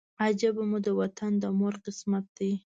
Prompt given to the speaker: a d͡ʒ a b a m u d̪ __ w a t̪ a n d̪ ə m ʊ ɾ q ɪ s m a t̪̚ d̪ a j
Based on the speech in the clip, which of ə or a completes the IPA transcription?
ə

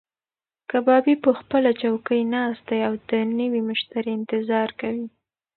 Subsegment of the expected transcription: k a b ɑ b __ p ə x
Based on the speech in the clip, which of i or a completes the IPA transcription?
i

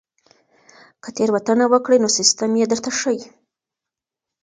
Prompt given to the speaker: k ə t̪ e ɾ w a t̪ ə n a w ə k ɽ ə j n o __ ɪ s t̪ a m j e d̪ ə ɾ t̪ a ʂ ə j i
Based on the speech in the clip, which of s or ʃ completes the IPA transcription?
s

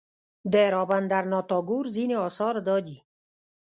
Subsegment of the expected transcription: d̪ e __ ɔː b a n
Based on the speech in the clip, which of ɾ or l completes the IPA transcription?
ɾ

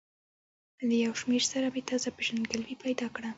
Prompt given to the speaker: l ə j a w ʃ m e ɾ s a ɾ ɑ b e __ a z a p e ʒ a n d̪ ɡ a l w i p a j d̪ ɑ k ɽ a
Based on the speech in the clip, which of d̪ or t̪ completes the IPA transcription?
t̪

